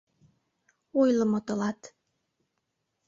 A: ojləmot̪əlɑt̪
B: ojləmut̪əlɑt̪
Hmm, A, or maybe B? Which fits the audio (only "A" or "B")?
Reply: A